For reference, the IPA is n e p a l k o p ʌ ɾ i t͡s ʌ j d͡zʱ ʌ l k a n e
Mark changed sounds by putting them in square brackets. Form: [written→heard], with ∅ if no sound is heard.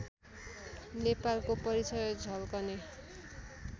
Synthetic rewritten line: n e p a l k o p ʌ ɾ i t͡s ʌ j d͡zʱ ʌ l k [a→ʌ] n e

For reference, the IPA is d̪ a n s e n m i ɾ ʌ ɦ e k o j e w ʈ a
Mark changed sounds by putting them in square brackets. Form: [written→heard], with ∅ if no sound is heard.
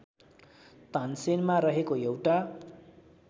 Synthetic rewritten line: [d̪→t̪] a n s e n m [i→a] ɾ ʌ ɦ e k o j e w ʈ a

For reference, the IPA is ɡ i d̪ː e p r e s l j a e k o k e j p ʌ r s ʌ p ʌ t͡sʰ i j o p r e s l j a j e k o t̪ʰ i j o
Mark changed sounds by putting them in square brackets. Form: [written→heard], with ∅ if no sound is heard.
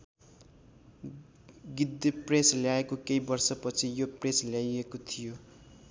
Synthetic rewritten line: ɡ i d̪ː e p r e s l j a e k o k e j [p→b] ʌ r s ʌ p ʌ t͡sʰ i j o p r e s l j a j e k o t̪ʰ i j o

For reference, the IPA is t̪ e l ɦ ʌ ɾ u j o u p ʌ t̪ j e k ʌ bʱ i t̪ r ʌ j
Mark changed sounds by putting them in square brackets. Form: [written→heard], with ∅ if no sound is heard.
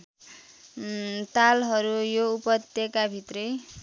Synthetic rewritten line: t̪ [e→a] l ɦ ʌ ɾ u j o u p ʌ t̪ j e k [ʌ→a] bʱ i t̪ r ʌ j

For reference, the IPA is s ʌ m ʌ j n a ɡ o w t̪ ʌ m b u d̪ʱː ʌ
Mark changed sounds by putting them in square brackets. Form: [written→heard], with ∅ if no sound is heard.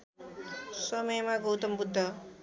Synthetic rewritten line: s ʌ m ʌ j [n→m] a ɡ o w t̪ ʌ m b u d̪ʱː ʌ

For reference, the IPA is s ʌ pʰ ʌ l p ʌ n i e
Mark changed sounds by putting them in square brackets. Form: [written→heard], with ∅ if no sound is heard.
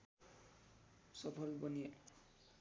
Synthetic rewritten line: s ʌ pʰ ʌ l [p→b] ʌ n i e

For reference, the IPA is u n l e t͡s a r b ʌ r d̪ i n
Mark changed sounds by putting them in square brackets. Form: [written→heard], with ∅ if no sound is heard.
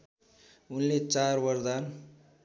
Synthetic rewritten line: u n l e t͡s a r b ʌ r d̪ [i→a] n

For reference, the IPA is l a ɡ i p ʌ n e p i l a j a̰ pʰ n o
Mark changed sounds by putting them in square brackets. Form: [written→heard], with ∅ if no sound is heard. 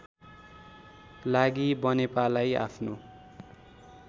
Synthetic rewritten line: l a ɡ i [p→b] ʌ n e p [i→a] l a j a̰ pʰ n o

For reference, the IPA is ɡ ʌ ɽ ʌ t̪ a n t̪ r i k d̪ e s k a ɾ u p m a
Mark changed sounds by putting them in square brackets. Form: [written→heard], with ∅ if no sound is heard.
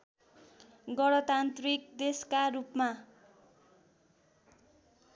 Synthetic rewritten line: ɡ ʌ ɽ ʌ t̪ a n t̪ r i k d̪ e s k a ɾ u p m a

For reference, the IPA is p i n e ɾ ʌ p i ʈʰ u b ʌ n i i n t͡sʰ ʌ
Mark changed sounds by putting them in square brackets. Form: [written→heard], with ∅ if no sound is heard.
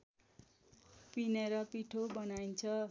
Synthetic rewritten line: p i n e ɾ ʌ p i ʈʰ [u→o] b ʌ n [i→a] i n t͡sʰ ʌ

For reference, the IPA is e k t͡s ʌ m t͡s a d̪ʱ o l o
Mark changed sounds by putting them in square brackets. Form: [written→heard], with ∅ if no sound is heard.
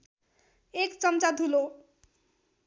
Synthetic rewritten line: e k t͡s ʌ m t͡s a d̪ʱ [o→u] l o

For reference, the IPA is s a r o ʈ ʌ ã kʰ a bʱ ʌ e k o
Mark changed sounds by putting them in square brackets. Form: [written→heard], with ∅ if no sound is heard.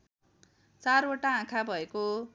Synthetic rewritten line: [s→t͡s] a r o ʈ [ʌ→a] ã kʰ a bʱ ʌ e k o

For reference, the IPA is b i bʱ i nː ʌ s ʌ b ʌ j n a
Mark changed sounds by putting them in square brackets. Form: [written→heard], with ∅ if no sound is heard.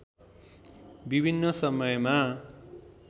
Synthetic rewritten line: b i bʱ i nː ʌ s ʌ [b→m] ʌ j [n→m] a

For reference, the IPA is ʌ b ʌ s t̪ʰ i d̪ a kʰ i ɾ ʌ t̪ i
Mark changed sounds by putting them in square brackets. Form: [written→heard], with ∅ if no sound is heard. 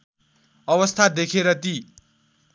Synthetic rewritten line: ʌ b ʌ s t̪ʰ [i→a] d̪ [a→e] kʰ [i→e] ɾ ʌ t̪ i

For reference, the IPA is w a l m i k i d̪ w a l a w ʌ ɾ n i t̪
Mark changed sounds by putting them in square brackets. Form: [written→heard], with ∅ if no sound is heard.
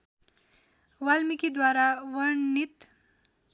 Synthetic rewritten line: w a l m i k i d̪ w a [l→ɾ] a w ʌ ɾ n i t̪

